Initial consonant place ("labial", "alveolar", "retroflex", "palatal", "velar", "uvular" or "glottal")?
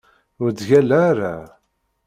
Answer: alveolar